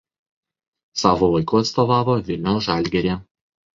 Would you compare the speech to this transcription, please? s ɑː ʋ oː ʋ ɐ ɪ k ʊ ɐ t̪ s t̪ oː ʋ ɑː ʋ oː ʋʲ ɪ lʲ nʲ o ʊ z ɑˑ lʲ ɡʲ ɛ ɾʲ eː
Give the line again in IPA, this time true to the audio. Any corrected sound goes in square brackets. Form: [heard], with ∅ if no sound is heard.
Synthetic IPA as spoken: s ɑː ʋ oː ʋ ɐ ɪ k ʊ ɐ t̪ s t̪ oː ʋ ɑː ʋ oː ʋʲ ɪ lʲ nʲ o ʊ [ʒ] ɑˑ lʲ ɡʲ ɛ ɾʲ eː